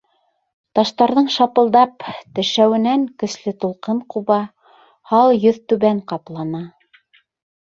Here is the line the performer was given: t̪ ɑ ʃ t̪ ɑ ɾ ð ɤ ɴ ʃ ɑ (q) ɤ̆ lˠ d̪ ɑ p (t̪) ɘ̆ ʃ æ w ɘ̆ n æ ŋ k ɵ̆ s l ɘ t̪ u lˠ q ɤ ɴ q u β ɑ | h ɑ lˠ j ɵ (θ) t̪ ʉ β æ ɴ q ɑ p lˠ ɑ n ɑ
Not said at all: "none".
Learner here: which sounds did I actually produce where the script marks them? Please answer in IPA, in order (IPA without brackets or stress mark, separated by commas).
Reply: p, t̪, ð